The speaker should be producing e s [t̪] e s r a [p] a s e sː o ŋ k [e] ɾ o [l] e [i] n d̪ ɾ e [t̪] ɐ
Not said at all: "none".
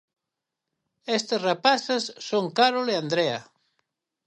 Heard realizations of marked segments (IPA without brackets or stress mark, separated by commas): t̪, p, a, l, a, none